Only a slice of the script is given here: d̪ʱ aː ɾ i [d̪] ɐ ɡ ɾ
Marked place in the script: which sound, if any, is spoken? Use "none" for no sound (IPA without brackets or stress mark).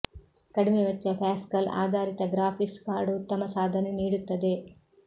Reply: t̪